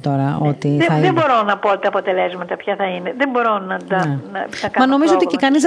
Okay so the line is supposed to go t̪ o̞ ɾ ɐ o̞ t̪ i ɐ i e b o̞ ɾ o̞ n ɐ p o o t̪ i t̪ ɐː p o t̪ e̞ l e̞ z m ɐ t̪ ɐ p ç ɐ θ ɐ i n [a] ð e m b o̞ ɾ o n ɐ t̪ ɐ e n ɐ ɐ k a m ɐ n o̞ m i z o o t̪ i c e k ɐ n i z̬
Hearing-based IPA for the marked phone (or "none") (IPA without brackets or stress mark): e